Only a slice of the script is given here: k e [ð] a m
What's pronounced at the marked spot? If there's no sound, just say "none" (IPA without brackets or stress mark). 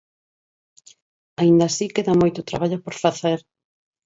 ð